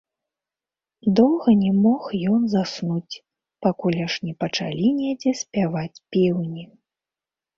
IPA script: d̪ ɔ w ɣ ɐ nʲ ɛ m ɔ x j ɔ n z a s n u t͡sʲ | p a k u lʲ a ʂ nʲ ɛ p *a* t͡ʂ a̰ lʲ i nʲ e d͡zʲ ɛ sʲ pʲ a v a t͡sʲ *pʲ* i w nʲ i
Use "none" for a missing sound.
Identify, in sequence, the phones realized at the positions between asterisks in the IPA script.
ɐ, pʲ

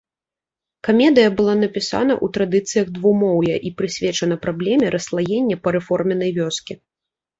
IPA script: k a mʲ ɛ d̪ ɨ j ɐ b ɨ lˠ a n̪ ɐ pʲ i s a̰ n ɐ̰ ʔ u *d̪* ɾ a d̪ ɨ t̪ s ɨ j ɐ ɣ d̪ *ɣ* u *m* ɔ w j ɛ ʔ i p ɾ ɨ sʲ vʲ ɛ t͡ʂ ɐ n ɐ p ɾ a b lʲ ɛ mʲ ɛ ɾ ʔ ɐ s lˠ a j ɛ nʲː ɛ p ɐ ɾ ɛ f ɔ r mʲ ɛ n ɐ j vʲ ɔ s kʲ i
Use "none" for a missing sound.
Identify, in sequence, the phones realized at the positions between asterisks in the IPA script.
t̪, v, m

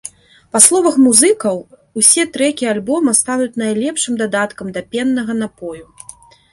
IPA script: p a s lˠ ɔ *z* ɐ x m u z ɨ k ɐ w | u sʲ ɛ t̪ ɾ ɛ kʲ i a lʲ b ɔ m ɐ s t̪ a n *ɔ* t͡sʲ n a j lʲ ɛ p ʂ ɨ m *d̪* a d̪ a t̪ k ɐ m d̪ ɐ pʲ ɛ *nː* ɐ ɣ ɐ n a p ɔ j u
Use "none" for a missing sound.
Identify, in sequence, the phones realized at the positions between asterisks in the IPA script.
v, u, d̪, nː

